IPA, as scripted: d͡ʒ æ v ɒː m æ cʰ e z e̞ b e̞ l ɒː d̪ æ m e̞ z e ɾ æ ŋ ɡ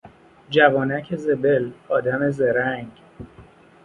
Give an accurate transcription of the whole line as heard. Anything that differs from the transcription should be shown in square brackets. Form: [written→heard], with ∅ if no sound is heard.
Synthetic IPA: d͡ʒ æ v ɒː [m→n] æ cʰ e z e̞ b e̞ l ɒː d̪ æ m e̞ z e ɾ æ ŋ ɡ